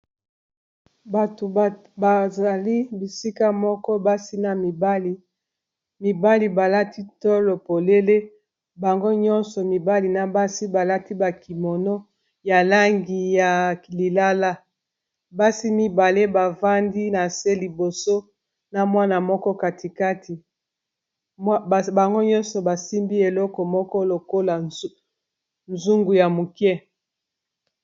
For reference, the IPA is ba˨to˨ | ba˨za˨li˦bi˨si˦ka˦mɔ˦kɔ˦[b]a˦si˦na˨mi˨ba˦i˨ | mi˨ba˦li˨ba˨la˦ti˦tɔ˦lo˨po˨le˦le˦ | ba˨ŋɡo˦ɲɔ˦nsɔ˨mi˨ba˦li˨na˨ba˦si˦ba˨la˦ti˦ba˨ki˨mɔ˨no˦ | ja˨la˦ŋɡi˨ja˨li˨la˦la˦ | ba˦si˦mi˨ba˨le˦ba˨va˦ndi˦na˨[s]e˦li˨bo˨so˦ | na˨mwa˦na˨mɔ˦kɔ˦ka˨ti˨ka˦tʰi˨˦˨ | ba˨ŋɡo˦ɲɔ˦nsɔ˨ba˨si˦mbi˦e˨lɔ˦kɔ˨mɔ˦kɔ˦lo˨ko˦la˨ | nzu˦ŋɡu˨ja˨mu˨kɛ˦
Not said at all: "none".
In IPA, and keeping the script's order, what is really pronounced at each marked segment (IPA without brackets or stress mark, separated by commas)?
b, s